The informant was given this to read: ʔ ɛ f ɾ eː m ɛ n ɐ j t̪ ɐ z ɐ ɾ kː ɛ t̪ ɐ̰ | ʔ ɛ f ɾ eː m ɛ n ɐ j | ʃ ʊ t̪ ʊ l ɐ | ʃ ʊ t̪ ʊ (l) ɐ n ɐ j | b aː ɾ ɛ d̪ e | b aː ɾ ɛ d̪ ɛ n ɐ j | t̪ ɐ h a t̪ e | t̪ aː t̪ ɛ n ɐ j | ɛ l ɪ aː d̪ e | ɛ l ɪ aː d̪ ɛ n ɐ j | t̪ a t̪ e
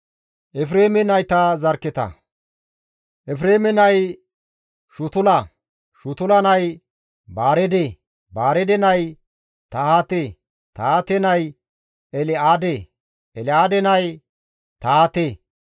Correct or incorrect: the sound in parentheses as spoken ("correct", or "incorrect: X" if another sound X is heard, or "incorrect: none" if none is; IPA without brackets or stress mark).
correct